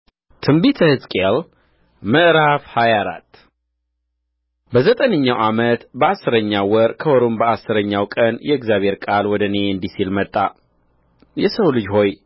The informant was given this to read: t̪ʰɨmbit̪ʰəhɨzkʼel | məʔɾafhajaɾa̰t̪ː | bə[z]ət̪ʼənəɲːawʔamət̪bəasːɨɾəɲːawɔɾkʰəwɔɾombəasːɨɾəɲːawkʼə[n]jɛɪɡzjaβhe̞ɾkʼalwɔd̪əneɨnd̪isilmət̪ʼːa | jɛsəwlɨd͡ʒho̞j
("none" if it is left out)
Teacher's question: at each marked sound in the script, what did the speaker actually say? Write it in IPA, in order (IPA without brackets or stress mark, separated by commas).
z, n